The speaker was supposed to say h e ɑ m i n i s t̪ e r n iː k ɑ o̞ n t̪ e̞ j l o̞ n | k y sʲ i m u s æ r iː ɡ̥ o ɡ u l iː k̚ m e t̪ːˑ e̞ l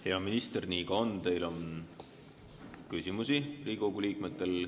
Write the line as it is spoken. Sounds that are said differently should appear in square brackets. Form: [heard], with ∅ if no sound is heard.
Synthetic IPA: h e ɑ m i n i s t̪ e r n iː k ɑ o̞ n t̪ e̞ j l o̞ n | k y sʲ i m u s [i] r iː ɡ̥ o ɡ u l iː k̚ m e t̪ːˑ e̞ l